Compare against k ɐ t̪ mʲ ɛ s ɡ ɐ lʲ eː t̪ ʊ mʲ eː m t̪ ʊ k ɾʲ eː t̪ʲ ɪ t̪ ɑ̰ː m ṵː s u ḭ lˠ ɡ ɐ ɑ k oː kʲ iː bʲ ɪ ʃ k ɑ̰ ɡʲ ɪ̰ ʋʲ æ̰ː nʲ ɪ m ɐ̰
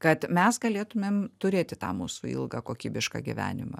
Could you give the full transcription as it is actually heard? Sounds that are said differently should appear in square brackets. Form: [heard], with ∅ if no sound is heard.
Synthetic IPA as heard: k ɐ t̪ mʲ ɛ s ɡ ɐ lʲ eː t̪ ʊ mʲ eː m t̪ ʊ [∅] ɾʲ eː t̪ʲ ɪ t̪ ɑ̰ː m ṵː s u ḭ lˠ ɡ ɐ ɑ k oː kʲ iː bʲ ɪ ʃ k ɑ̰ ɡʲ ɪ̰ ʋʲ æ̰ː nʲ ɪ m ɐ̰